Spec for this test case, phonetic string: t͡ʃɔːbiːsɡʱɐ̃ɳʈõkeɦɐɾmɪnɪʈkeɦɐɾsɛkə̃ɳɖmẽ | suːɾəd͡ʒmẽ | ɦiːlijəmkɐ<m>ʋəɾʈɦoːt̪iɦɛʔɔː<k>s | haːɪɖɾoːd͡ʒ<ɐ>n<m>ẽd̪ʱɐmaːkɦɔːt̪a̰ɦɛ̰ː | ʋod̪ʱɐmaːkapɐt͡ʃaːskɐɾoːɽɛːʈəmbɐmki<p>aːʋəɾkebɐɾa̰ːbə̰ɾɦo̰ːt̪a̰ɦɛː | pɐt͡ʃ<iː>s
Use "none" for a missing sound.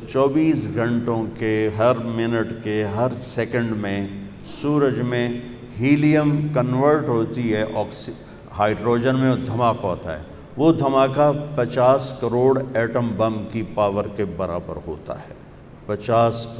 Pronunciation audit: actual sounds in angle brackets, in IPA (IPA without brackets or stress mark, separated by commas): n, k, ə, m, p, aː